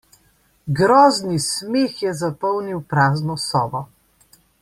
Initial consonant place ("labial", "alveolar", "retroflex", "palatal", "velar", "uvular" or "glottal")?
velar